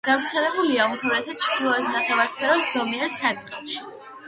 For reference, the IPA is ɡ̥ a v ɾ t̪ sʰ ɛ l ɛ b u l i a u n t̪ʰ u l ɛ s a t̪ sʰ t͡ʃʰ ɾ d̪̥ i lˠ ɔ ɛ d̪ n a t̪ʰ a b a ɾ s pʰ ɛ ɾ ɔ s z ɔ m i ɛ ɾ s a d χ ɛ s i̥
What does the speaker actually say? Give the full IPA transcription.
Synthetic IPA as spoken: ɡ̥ a v ɾ t̪ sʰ ɛ l ɛ b u l i a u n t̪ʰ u ɾ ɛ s a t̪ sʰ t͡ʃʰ ɾ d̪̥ i lˠ ɔ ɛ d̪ n a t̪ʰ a v a ɾ s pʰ ɛ ɾ ɔ s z ɔ m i ɛ ɾ s a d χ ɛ ʃ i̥